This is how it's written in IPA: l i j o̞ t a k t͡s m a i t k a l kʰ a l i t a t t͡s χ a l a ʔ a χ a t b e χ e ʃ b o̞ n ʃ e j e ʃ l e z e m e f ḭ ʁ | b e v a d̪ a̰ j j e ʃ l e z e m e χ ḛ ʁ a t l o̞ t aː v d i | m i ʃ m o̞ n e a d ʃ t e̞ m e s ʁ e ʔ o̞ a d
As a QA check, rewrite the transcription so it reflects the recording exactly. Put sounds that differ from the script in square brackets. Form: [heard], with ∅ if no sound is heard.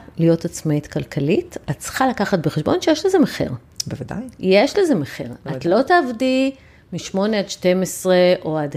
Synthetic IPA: l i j o̞ t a [∅] t͡s m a i t k a l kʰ a l i t a t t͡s χ a l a [k] a χ a t b e χ e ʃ b o̞ n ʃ e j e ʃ l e z e m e [χ] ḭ ʁ | b e v a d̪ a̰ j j e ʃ l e z e m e χ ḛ ʁ a t l o̞ t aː v d i | m i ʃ m o̞ n e a d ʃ t e̞ m e s ʁ e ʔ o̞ a d